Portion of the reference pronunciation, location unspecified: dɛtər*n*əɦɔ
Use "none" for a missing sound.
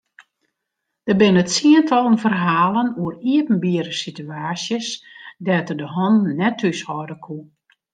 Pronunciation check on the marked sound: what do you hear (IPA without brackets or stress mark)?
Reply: d